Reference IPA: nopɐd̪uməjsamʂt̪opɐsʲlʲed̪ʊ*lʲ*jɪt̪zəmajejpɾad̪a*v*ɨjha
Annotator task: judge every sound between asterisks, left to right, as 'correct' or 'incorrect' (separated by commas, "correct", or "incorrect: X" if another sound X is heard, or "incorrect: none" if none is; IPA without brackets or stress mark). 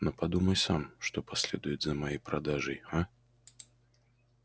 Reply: incorrect: none, incorrect: ʐ